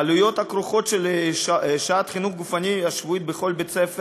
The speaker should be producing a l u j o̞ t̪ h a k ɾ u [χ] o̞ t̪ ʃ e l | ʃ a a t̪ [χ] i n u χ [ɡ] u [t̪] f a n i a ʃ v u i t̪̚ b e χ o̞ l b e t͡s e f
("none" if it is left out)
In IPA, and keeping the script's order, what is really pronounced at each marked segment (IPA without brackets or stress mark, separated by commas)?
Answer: χ, χ, ɡ, none